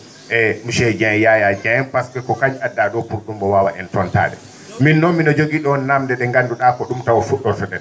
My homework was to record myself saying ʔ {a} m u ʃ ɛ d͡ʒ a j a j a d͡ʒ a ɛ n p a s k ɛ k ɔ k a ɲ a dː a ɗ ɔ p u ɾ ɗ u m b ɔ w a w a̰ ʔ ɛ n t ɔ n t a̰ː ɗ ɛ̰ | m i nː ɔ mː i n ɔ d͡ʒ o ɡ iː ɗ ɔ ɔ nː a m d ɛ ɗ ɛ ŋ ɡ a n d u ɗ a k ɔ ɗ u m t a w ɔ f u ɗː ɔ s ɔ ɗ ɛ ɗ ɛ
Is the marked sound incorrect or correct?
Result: incorrect